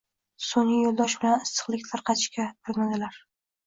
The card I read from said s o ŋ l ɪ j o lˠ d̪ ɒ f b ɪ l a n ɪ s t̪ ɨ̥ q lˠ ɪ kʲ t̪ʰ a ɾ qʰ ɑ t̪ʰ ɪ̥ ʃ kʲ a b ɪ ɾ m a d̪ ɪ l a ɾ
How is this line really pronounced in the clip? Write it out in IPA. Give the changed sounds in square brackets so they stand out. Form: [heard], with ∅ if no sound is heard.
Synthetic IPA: s o ŋ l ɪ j o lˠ d̪ ɒ [ʃ] b ɪ l a n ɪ s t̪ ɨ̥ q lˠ ɪ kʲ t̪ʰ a ɾ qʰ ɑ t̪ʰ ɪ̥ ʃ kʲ a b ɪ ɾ m a d̪ ɪ l a ɾ